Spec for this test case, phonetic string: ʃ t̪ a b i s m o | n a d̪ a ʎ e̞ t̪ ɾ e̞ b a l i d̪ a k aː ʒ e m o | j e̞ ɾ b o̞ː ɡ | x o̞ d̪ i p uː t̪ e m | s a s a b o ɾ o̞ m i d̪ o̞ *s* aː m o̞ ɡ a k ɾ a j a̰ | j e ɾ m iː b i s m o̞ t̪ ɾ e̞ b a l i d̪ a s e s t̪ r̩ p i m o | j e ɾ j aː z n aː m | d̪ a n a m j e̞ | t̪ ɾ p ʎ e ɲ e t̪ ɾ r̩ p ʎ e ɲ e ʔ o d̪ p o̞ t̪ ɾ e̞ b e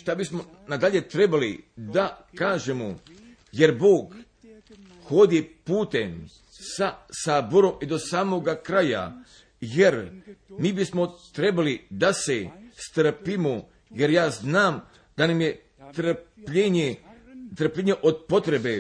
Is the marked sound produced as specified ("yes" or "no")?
yes